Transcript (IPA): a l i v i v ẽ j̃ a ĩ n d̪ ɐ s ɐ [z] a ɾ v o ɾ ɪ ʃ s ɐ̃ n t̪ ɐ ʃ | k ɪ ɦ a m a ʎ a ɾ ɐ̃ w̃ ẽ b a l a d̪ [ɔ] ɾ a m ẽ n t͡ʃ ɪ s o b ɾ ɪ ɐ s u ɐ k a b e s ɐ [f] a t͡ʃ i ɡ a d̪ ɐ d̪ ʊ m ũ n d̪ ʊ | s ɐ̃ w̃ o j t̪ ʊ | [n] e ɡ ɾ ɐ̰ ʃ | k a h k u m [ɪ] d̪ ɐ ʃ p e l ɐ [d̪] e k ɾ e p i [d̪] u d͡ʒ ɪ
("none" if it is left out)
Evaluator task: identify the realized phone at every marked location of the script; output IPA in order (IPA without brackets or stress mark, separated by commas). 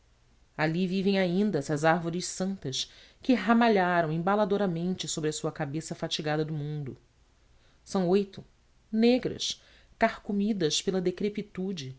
z, o, f, n, i, d̪, t̪